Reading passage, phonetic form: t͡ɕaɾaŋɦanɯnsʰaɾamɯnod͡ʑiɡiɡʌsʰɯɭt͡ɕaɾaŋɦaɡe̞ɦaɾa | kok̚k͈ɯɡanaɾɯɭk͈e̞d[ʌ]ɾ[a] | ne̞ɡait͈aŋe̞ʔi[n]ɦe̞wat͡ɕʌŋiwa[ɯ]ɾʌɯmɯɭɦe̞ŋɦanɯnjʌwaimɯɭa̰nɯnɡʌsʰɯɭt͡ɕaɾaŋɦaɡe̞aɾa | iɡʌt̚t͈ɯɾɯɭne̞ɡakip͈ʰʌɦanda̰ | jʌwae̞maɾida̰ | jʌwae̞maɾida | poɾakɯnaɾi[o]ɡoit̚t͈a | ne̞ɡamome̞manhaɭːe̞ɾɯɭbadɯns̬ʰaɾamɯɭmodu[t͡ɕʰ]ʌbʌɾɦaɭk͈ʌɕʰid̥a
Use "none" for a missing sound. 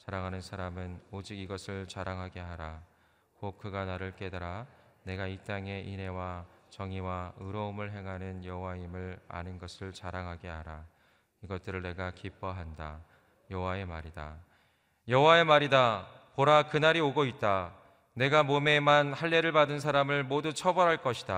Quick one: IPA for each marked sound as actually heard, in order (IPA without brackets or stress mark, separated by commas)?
a, a, n, ɯ, o, t͡ɕʰ